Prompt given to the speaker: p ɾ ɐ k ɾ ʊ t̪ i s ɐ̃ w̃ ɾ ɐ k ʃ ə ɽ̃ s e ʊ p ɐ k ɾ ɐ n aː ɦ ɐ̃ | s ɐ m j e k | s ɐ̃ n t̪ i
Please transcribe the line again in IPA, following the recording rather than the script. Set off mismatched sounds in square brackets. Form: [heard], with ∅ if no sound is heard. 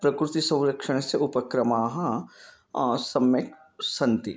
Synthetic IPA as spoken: p ɾ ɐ k ɾ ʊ t̪ i s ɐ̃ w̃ ɾ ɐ k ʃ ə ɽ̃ s e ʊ p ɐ k ɾ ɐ [m] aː ɦ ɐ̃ | s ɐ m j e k | s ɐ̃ n t̪ i